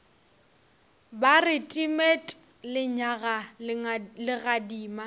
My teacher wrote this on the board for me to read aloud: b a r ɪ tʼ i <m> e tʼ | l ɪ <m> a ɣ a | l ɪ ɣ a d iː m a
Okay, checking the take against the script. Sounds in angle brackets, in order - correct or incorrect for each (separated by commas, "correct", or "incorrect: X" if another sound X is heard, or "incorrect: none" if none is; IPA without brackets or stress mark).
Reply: correct, incorrect: ɲ